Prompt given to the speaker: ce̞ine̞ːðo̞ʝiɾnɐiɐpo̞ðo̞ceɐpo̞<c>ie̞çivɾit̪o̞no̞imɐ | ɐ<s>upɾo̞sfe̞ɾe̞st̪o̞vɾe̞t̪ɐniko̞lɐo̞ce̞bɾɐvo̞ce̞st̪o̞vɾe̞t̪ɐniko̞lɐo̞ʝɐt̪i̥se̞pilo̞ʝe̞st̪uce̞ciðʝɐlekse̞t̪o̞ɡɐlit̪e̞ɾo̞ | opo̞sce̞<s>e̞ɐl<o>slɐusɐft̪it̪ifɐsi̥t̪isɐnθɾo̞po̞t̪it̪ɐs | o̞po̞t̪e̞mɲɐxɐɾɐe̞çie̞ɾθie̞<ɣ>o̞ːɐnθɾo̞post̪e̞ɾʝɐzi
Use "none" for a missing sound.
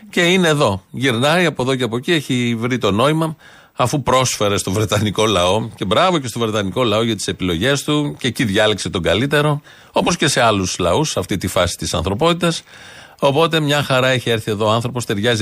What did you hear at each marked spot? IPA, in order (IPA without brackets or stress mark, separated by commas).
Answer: c, f, s, u, ð